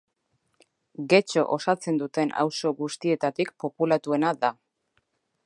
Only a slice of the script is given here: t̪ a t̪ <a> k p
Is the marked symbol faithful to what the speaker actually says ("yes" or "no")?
no